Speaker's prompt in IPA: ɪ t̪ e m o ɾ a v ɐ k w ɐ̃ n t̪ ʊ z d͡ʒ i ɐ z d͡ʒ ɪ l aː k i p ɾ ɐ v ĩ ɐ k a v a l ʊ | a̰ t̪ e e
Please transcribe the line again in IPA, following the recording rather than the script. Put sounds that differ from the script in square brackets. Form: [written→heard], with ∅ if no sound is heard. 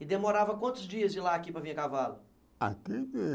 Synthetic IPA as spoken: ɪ [t̪→d̪] e m o ɾ a v ɐ k w ɐ̃ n t̪ ʊ z d͡ʒ i ɐ z d͡ʒ ɪ l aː k i p ɾ ɐ v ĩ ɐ k a v a l ʊ | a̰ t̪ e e